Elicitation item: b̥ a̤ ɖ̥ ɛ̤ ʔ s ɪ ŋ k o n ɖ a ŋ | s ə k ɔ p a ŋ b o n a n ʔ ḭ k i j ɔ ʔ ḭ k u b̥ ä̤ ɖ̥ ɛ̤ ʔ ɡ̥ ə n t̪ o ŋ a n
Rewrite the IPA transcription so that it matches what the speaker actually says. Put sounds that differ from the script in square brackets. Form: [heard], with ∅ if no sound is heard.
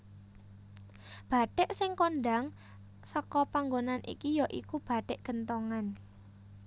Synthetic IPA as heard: b̥ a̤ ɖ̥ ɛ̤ ʔ s ɪ ŋ k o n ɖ a ŋ | s ə k ɔ p a ŋ [ɡ] o n a n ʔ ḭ k i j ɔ ʔ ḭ k u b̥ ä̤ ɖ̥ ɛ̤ ʔ ɡ̥ ə n t̪ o ŋ a n